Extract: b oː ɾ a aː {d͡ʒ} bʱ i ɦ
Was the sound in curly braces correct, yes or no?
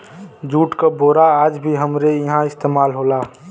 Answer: yes